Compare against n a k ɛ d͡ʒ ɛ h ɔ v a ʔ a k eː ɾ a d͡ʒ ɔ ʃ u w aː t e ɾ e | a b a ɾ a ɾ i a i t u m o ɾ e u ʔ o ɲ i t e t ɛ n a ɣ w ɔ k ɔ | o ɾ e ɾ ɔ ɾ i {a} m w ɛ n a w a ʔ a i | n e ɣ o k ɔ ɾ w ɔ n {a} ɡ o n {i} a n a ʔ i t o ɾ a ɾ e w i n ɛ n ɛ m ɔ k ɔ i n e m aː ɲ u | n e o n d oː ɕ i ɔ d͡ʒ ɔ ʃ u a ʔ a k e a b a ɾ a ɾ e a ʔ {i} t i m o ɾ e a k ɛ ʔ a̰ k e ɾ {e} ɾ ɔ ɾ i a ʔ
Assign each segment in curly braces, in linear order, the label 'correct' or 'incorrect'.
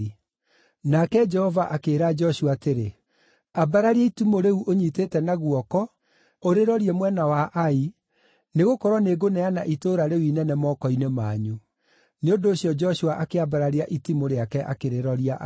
incorrect: ɛ, incorrect: e, incorrect: ɛ, correct, correct

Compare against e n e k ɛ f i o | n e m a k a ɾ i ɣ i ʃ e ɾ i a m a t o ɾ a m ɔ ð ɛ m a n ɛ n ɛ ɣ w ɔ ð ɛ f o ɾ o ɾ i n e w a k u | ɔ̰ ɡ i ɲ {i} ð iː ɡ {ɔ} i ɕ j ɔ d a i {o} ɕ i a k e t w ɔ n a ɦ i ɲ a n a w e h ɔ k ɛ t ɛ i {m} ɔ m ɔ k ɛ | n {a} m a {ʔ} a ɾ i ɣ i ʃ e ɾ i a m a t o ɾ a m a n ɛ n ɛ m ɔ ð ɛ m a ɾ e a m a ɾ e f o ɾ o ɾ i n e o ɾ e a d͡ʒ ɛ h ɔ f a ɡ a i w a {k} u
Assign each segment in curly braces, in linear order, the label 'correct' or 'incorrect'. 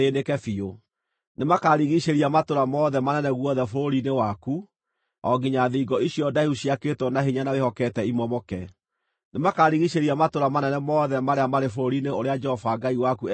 incorrect: a, correct, incorrect: u, correct, incorrect: e, incorrect: k, correct

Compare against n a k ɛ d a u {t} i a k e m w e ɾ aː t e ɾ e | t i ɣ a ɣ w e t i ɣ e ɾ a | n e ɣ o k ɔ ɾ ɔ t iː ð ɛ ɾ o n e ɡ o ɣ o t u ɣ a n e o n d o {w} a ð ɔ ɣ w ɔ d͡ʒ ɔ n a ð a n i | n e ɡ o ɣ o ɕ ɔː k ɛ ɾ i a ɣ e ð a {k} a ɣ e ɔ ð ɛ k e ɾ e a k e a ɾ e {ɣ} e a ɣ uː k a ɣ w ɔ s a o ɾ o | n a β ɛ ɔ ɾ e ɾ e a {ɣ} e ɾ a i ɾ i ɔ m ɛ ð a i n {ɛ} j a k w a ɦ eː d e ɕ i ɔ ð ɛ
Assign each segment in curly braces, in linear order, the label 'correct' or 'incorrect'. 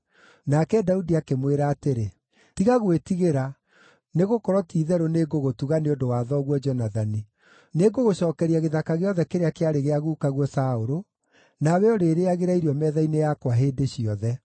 incorrect: d, correct, correct, correct, correct, incorrect: e

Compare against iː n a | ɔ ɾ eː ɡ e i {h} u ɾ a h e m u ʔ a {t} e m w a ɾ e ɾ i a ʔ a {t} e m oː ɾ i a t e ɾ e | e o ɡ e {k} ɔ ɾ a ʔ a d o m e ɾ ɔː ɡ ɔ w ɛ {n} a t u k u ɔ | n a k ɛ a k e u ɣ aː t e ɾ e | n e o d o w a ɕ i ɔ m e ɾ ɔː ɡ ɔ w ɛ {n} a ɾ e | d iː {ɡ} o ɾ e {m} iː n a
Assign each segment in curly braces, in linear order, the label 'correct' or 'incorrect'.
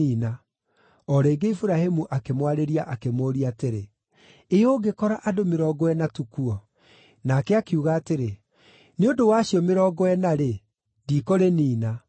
incorrect: f, incorrect: k, incorrect: k, correct, correct, correct, incorrect: k, incorrect: n

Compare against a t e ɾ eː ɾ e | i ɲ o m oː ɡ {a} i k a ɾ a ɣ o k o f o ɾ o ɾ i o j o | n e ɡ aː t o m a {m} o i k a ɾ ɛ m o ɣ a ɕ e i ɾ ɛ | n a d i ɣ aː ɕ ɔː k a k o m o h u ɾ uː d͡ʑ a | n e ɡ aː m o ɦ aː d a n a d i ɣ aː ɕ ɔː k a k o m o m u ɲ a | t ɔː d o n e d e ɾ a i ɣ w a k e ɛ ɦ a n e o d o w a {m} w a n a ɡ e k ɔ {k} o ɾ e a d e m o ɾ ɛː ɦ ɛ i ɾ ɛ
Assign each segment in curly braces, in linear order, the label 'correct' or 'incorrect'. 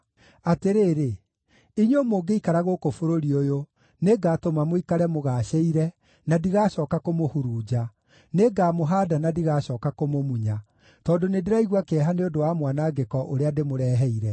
incorrect: e, correct, correct, incorrect: ʔ

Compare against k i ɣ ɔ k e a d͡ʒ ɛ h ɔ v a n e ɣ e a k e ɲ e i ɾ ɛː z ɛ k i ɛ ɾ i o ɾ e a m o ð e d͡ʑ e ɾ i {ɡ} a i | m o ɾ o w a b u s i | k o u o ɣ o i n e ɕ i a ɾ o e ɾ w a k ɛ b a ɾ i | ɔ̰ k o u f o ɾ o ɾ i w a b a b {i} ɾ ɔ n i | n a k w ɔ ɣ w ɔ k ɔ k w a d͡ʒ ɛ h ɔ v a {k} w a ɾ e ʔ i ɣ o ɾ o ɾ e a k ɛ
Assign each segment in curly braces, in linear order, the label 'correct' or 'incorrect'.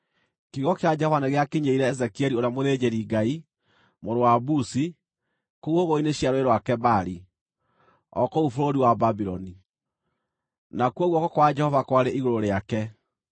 correct, correct, correct

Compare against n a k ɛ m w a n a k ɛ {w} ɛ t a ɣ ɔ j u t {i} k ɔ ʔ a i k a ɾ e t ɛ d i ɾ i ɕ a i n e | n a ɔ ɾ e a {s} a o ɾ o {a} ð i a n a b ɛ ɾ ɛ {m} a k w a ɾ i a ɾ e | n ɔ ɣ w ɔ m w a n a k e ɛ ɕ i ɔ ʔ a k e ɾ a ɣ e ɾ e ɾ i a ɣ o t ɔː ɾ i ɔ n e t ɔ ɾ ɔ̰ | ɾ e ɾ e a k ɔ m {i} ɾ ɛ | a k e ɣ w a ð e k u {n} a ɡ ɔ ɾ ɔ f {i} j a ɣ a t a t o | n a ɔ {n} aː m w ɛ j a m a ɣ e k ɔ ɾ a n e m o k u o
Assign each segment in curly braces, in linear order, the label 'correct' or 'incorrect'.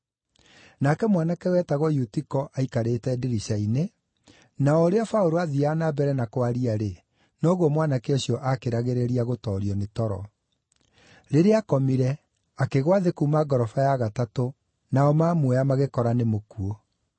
correct, correct, incorrect: f, correct, incorrect: n, correct, incorrect: m, incorrect: a, incorrect: m

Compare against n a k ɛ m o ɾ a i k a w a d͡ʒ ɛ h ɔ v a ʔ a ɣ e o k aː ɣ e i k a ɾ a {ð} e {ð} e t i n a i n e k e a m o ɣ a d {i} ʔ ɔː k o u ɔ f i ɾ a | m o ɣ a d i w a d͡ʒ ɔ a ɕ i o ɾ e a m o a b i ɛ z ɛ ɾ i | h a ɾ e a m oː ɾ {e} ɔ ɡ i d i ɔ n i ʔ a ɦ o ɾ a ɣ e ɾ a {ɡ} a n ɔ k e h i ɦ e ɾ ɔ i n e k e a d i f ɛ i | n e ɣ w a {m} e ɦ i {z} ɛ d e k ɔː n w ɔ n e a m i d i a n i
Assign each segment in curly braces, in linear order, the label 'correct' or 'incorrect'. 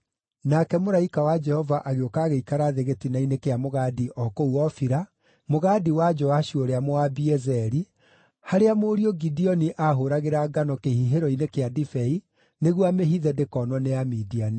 correct, incorrect: ɣ, correct, incorrect: i, correct, correct, incorrect: ð

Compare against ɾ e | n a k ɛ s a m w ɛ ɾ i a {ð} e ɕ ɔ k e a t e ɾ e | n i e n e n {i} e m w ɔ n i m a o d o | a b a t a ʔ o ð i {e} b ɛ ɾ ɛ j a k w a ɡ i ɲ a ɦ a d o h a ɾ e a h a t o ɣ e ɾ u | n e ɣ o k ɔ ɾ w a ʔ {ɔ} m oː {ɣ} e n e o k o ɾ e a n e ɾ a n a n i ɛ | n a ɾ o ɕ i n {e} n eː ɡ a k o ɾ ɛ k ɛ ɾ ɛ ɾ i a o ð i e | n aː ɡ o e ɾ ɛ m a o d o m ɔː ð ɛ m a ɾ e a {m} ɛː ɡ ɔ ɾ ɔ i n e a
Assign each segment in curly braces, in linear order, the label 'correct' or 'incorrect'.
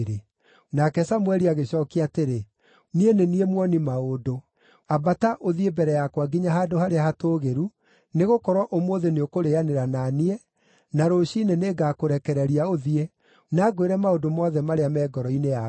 incorrect: ɣ, correct, correct, incorrect: o, incorrect: ð, correct, correct

